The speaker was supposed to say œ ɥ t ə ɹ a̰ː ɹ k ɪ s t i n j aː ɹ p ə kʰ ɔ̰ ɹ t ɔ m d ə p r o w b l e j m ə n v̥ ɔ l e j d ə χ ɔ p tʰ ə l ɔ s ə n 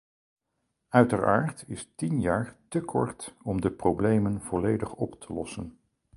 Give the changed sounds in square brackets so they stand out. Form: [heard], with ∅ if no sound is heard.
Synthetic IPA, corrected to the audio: œ ɥ t ə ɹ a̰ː ɹ [t] ɪ s t i n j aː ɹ [t] ə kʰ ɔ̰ ɹ t ɔ m d ə p r o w b l e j m ə n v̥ ɔ l e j d ə χ ɔ p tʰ ə l ɔ s ə n